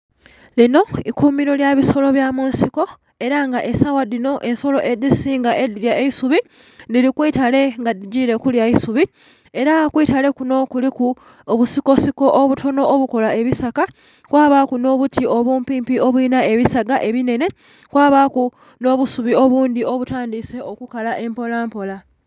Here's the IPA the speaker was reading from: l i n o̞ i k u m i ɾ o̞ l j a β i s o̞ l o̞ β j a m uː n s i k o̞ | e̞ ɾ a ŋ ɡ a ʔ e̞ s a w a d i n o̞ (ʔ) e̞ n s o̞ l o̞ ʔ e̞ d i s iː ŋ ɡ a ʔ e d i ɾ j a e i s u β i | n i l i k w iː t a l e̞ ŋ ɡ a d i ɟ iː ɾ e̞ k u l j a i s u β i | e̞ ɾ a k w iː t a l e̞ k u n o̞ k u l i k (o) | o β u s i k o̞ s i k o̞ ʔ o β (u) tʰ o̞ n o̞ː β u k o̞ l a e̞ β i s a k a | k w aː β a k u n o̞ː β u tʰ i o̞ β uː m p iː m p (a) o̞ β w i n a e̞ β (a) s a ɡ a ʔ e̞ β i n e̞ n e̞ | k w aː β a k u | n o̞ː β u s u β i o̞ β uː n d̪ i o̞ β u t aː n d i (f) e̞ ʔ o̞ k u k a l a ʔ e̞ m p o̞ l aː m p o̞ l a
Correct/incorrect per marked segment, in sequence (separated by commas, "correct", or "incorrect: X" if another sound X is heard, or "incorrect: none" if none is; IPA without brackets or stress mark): correct, incorrect: u, correct, incorrect: i, incorrect: i, incorrect: s